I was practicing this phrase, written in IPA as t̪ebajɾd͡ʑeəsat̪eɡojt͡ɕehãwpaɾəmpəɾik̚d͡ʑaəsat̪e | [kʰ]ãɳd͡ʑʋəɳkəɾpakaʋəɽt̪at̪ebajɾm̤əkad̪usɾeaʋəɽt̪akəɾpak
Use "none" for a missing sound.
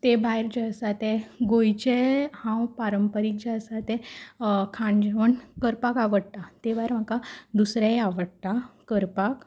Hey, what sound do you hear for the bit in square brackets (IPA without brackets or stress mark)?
kʰ